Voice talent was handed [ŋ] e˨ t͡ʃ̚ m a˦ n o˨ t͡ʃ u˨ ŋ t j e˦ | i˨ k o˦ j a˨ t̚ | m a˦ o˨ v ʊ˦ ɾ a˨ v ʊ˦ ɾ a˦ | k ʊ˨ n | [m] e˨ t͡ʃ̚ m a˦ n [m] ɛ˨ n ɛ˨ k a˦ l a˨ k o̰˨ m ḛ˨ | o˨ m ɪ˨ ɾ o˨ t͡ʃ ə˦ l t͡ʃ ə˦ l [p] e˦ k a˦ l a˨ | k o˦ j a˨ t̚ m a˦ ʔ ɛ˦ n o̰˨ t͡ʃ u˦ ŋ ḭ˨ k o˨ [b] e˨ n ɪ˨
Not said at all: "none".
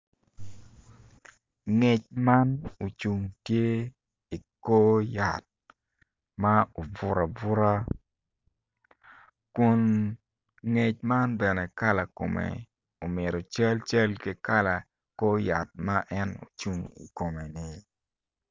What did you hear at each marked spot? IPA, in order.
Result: ŋ, ŋ, b, k, m

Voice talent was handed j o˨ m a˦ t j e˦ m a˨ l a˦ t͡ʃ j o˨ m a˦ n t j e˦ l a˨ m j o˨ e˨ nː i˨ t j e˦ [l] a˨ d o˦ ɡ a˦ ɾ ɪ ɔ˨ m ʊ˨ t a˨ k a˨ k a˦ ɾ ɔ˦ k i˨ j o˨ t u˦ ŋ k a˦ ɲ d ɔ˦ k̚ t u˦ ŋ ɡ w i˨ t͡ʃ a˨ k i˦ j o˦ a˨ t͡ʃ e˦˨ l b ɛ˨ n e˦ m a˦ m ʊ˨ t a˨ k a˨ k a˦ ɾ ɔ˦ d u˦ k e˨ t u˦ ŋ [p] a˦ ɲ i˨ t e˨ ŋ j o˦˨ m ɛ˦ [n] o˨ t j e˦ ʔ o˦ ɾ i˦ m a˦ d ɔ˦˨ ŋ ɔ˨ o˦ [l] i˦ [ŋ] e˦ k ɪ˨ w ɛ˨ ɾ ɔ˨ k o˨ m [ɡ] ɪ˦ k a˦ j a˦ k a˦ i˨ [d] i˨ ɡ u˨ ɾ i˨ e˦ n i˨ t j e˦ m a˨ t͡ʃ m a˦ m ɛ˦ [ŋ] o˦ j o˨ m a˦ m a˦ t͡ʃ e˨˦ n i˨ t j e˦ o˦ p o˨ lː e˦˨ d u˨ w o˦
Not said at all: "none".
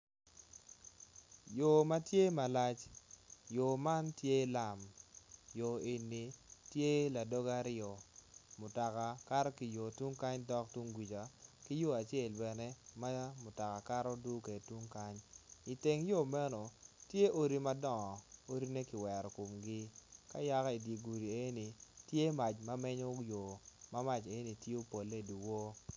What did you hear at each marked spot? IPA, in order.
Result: l, k, n, ɾ, n, ɡ, d, ɲ

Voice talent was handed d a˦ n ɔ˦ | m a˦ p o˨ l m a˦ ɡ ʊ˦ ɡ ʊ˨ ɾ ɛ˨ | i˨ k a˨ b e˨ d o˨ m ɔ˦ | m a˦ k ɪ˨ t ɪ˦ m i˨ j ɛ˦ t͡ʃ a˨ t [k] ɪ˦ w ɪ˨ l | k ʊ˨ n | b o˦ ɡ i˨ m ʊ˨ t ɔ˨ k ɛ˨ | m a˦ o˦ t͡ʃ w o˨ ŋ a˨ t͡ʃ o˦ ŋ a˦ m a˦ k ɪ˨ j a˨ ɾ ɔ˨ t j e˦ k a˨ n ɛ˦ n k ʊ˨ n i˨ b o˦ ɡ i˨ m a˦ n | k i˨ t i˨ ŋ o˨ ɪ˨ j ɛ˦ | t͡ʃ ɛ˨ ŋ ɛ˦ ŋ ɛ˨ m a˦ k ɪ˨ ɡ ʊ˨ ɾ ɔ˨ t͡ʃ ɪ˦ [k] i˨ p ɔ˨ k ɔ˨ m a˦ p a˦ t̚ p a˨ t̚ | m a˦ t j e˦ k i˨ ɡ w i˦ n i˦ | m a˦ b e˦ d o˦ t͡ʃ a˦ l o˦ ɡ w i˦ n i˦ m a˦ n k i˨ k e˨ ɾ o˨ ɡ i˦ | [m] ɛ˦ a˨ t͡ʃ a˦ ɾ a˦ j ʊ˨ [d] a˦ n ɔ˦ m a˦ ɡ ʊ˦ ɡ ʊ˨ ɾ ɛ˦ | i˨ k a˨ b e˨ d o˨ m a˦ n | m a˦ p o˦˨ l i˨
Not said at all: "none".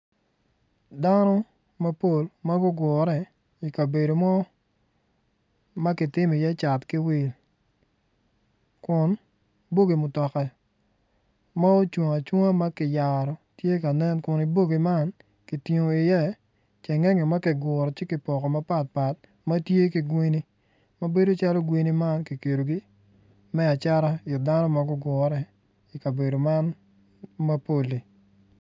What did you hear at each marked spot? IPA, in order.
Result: k, k, m, d

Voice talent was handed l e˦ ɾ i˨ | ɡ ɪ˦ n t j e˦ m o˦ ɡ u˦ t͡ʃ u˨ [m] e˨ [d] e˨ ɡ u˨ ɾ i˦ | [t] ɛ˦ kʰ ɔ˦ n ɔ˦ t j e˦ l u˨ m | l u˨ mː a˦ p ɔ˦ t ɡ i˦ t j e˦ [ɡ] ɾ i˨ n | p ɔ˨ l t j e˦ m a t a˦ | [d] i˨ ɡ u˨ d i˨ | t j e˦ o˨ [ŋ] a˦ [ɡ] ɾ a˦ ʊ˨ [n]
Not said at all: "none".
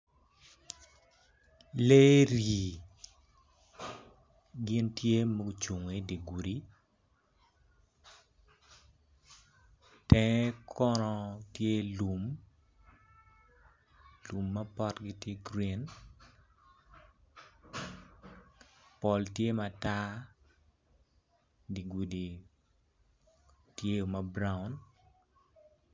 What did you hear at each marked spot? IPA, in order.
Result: ŋ, d, t, ɡ, d, m, b, n

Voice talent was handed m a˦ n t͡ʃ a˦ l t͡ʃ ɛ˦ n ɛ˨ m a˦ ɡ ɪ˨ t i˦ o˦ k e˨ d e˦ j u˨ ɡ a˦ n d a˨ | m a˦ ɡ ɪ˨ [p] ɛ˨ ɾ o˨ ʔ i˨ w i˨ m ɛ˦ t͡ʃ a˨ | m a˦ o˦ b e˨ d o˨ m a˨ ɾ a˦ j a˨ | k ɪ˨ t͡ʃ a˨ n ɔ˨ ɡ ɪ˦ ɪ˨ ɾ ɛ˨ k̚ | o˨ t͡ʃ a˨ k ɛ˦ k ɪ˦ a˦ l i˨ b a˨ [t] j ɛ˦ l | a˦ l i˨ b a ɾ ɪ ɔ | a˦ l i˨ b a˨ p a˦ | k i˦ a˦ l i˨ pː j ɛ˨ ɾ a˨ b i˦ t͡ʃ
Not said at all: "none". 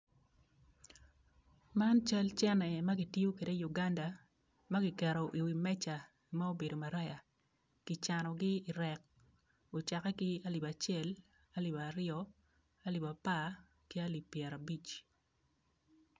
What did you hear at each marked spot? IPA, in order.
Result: k, t͡ʃ

